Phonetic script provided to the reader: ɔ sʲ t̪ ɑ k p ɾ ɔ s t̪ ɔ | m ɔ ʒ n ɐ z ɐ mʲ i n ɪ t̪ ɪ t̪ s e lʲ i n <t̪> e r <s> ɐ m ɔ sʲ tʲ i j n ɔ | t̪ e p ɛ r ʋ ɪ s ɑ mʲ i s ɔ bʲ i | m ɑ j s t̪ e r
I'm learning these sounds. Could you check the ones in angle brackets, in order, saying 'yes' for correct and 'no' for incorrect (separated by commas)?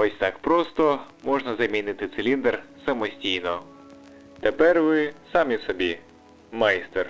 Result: no, yes